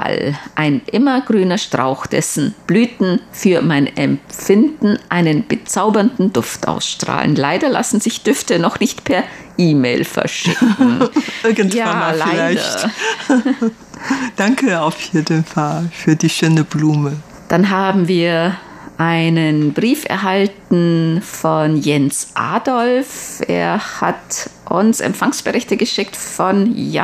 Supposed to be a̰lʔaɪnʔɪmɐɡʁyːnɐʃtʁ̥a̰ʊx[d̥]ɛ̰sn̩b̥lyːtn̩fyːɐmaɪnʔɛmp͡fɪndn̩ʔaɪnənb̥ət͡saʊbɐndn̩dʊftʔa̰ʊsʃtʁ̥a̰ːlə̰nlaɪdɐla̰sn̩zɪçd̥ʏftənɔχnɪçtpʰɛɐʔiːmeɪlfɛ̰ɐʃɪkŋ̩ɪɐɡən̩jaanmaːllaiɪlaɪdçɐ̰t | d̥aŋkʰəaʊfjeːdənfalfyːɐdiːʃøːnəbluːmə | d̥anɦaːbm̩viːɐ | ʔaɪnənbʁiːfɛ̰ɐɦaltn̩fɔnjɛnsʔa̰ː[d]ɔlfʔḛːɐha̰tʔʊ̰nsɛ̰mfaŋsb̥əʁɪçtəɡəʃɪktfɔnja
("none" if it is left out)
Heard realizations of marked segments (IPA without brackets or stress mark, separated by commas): d̥, d